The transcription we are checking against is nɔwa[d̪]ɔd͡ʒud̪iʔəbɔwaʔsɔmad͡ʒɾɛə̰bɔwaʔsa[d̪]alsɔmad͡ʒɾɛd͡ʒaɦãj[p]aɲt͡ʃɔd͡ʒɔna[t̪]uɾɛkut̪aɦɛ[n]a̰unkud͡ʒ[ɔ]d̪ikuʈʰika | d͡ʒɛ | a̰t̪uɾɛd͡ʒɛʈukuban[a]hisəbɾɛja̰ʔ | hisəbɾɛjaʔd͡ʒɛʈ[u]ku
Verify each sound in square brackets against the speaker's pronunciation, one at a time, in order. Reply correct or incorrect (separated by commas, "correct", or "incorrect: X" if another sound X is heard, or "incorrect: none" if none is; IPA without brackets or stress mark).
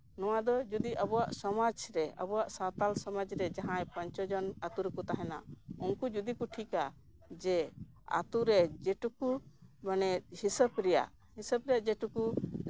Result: correct, incorrect: t̪, correct, correct, correct, incorrect: u, incorrect: ɛ, correct